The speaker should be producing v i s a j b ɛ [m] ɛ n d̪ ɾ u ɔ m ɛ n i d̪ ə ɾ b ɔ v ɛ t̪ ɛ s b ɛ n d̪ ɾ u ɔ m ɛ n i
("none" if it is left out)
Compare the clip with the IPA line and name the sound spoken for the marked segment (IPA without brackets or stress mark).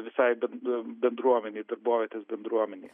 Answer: b